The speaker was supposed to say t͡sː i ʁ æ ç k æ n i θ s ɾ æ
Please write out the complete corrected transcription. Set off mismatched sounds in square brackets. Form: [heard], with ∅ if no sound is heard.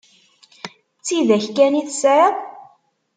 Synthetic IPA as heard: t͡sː i [ð] æ ç k æ n i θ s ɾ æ